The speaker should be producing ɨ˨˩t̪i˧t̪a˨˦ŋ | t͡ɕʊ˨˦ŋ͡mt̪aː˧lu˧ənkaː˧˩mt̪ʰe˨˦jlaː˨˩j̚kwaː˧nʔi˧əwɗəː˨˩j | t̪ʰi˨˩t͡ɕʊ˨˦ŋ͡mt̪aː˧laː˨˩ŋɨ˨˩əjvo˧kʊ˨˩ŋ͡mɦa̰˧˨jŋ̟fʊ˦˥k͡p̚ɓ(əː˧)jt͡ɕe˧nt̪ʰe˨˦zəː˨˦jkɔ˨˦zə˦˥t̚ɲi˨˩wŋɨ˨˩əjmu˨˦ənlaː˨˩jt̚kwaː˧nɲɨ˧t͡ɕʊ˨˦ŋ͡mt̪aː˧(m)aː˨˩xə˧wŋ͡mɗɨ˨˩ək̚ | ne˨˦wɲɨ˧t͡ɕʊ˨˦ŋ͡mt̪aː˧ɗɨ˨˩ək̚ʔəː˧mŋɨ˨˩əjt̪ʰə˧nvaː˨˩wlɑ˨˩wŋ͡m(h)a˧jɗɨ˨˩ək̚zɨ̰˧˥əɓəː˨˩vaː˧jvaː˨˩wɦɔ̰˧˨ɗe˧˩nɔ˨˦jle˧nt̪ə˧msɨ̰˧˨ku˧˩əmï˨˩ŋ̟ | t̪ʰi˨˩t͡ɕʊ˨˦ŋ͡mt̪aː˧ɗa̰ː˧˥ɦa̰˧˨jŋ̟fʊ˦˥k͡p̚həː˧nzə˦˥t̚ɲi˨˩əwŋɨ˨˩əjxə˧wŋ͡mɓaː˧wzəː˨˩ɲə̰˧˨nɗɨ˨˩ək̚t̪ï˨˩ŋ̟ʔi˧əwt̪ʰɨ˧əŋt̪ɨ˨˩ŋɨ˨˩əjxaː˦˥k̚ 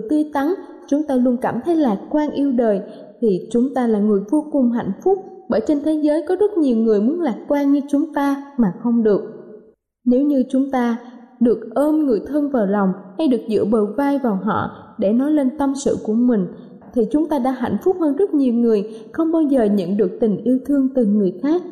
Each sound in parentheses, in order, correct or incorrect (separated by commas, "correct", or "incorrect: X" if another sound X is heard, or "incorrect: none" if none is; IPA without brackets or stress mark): incorrect: əː˧˩, correct, correct